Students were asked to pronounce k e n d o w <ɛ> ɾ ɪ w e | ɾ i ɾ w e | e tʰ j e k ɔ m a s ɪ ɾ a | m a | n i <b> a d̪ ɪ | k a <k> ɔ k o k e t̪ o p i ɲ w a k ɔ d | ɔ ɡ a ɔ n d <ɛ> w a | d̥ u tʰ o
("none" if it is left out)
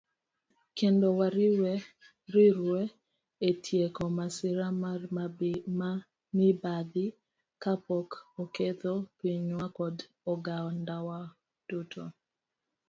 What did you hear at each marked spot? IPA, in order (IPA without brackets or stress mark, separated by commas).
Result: a, b, p, a